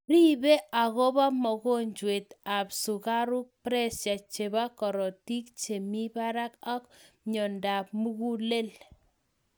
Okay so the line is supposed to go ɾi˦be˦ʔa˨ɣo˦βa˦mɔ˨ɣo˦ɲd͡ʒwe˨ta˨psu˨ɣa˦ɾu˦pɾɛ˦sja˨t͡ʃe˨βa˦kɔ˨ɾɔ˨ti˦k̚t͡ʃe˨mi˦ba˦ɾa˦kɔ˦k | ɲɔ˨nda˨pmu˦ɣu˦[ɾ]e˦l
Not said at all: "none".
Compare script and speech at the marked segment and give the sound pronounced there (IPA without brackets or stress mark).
l